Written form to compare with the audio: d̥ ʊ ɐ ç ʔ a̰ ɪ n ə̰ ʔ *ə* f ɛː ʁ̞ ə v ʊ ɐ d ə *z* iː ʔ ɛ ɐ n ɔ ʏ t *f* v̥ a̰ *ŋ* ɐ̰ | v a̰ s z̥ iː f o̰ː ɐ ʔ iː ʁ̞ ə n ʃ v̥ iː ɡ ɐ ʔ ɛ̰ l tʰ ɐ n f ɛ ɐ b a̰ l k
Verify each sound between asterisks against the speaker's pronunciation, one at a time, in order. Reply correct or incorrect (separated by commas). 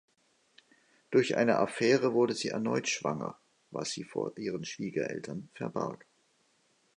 incorrect, correct, incorrect, correct